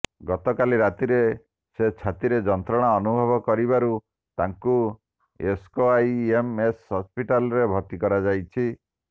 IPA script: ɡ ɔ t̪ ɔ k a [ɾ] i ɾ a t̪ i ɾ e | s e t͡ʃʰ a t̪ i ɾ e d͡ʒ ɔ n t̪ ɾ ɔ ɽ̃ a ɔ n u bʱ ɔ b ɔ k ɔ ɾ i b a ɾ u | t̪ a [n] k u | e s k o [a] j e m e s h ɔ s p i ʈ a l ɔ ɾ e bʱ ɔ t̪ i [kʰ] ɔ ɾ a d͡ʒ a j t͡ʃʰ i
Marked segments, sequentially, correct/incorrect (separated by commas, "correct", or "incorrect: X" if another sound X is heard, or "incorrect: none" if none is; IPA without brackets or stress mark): incorrect: l, incorrect: ŋ, correct, incorrect: k